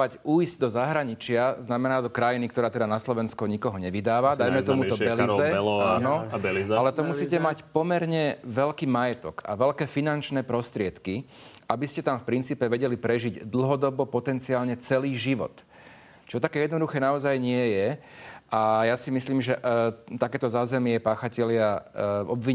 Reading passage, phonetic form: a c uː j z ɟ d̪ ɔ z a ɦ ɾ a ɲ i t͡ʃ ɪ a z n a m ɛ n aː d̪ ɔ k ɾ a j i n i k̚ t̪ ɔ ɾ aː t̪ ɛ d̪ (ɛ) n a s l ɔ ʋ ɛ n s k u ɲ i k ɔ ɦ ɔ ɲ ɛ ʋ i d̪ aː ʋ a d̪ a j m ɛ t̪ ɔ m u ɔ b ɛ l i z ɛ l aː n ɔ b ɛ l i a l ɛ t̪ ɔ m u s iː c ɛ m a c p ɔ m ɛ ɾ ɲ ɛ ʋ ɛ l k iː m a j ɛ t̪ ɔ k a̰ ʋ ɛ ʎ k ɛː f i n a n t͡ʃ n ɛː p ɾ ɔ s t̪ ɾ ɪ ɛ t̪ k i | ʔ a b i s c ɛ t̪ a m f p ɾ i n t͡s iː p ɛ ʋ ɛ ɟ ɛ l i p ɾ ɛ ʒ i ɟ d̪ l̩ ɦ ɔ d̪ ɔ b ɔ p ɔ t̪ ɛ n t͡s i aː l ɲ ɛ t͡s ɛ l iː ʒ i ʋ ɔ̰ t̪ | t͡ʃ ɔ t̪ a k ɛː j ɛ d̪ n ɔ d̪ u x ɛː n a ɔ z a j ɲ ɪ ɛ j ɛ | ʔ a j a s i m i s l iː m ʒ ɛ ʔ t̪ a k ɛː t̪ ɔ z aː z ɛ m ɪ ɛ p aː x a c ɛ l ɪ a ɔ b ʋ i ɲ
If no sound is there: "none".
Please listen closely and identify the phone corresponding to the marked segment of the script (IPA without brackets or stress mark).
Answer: a